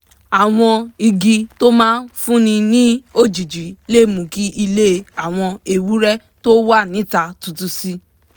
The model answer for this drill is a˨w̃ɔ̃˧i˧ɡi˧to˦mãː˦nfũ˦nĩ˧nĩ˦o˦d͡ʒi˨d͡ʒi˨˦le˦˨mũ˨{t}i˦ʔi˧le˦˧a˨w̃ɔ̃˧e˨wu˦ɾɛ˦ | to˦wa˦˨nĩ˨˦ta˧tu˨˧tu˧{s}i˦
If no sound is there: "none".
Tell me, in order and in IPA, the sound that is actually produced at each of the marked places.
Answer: k, s

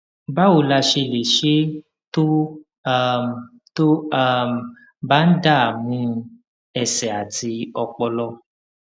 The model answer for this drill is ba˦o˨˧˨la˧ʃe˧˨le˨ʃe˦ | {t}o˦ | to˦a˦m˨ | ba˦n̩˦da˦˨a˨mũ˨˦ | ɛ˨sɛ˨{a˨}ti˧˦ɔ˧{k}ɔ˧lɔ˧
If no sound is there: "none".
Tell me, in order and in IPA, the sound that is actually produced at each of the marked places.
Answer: t, a˨, k͡p

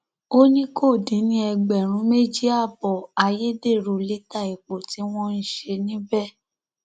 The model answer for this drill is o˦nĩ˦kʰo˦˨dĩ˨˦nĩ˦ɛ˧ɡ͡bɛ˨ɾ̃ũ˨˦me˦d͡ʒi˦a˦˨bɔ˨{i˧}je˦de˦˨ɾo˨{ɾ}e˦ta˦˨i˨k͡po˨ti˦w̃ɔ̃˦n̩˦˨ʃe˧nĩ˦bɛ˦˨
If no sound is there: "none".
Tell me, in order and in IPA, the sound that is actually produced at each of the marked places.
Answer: a˧, l

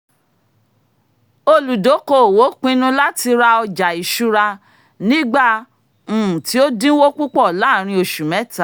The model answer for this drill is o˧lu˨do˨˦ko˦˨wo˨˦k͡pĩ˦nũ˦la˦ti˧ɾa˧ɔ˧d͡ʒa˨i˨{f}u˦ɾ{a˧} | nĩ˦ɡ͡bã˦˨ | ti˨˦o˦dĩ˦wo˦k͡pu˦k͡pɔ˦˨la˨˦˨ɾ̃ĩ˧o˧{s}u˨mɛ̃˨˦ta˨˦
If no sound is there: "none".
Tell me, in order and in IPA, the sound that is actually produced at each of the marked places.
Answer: ʃ, a˧, ʃ

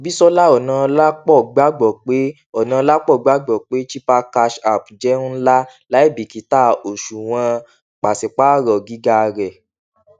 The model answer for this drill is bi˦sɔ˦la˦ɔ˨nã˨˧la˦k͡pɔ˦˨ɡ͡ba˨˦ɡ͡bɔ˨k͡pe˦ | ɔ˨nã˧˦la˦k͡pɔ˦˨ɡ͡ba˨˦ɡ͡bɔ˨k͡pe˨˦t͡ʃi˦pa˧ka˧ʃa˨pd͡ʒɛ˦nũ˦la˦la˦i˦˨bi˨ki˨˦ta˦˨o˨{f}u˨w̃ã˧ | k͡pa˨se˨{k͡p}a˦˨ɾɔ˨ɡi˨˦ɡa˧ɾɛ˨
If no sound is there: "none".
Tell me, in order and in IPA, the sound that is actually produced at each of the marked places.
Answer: ʃ, k͡p

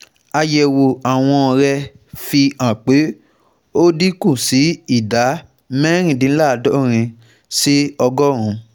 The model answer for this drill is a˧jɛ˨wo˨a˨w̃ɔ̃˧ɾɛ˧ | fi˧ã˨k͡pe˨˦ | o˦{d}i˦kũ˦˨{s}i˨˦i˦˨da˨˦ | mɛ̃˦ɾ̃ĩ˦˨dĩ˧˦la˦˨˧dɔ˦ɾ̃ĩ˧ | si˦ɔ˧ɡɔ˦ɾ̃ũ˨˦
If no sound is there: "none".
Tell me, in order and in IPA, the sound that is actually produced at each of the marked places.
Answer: d, s

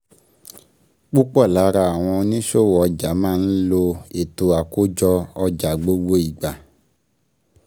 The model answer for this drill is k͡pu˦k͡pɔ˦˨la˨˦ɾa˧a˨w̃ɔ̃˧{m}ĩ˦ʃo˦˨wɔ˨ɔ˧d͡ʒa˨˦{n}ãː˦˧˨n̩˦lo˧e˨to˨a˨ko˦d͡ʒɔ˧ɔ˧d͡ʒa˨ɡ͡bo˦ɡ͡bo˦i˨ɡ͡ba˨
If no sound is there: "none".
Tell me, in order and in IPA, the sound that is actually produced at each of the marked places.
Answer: n, m

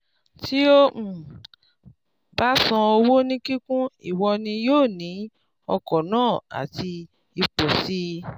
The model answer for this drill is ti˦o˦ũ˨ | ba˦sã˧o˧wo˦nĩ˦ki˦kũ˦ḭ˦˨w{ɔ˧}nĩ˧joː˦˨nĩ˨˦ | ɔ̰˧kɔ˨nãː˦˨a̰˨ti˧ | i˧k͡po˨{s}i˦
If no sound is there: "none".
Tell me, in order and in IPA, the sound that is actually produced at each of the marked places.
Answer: ɔ˧, s

